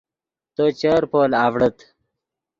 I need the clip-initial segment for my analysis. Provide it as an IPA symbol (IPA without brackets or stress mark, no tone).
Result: t̪